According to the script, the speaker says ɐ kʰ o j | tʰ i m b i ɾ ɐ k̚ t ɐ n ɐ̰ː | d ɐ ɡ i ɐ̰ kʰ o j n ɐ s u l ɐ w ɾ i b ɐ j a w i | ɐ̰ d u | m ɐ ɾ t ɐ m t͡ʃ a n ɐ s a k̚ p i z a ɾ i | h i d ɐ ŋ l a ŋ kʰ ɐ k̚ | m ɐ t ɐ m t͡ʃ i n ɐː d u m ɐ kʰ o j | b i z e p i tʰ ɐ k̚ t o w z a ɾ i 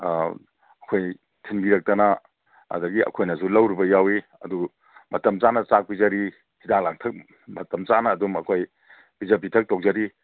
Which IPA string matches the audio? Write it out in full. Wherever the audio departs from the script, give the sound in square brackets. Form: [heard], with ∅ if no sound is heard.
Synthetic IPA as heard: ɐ kʰ o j | tʰ i [n] b i ɾ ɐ k̚ t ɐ n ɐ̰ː | d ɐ ɡ i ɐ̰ kʰ o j n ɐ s u l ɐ w ɾ i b ɐ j a w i | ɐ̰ d u | m ɐ [∅] t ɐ m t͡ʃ a n ɐ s a k̚ p i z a ɾ i | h i d [a] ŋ l a ŋ [tʰ] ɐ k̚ | m ɐ t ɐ m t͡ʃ [a] n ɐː d u m ɐ kʰ o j | b i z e p i tʰ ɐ k̚ t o w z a ɾ i